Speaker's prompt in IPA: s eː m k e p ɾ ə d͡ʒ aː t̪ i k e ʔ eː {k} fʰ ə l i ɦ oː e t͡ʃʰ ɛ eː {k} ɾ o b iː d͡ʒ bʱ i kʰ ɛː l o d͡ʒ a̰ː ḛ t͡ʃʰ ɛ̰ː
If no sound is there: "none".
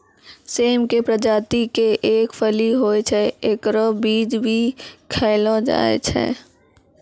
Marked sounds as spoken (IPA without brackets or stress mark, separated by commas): k, k